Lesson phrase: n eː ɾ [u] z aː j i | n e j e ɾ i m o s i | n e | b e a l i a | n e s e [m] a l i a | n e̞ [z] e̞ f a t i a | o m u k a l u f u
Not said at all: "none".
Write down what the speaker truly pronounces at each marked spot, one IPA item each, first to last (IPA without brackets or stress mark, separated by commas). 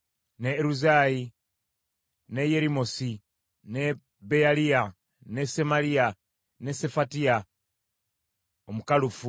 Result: u, m, s